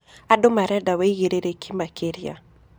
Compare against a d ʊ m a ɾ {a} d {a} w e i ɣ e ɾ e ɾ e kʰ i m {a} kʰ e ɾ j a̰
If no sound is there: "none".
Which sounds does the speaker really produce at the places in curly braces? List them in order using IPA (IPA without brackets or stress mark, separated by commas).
ɛ, a, a